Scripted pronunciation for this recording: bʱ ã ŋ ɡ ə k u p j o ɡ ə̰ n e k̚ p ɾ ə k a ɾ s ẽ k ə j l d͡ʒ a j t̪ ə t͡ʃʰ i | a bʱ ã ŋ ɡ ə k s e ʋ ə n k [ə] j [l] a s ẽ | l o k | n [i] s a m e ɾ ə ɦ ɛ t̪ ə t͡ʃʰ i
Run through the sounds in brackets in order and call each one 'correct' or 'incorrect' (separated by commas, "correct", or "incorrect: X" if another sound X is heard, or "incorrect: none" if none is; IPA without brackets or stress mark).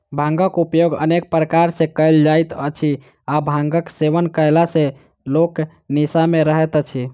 correct, correct, correct